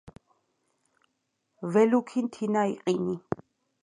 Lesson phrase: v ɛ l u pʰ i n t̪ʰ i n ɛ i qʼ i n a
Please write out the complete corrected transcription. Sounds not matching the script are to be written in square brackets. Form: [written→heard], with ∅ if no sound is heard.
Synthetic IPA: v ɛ l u [pʰ→kʰ] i n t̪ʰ i n [ɛ→a] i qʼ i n [a→i]